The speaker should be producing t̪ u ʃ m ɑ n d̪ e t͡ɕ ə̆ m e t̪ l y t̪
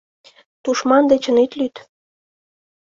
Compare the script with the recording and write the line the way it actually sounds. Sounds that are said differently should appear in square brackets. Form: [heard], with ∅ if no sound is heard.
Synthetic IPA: t̪ u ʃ m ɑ n d̪ e t͡ɕ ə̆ [n] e t̪ l y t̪